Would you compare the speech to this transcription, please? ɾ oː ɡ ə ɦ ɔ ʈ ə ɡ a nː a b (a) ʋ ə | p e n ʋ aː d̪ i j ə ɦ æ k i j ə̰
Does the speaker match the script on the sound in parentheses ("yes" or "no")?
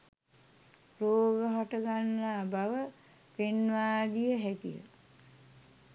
yes